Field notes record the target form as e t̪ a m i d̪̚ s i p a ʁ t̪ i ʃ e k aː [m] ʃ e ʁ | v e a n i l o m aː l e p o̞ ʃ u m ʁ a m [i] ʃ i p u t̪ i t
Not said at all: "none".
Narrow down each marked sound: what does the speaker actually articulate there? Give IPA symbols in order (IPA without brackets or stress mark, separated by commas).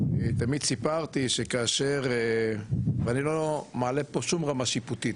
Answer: none, a